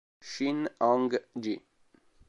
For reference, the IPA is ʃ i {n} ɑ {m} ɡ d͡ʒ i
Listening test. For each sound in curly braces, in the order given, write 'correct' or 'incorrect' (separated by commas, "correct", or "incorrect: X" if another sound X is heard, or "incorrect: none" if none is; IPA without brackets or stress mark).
correct, incorrect: ŋ